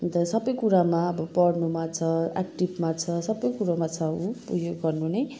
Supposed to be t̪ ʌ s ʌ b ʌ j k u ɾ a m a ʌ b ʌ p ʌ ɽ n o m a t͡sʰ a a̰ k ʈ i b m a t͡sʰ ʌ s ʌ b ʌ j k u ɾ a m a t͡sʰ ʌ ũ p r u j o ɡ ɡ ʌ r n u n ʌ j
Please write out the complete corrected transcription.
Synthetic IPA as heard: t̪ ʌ s ʌ b ʌ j k u ɾ a m a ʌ b ʌ p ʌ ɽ n u m a t͡sʰ ʌ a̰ k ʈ i b m a t͡sʰ ʌ s ʌ b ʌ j k u ɾ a m a t͡sʰ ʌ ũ p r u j o ɡ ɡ ʌ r n u n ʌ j